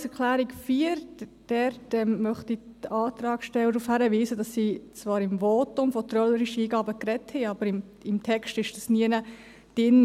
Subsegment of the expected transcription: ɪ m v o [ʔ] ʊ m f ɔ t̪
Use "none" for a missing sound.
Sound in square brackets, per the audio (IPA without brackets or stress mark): t